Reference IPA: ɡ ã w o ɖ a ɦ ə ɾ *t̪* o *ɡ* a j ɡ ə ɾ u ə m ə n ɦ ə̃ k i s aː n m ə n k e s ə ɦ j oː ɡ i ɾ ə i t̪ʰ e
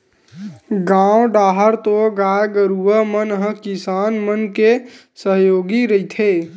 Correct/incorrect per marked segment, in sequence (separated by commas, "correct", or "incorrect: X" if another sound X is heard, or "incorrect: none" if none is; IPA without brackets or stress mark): correct, correct